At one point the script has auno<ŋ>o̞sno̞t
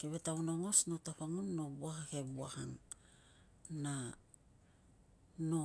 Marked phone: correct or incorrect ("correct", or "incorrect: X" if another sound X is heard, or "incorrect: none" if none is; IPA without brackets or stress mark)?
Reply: correct